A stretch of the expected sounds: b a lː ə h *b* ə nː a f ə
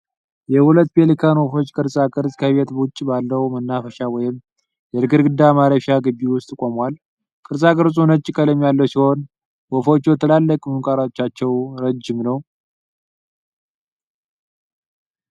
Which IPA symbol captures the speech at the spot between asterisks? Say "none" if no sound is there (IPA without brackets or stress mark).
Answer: m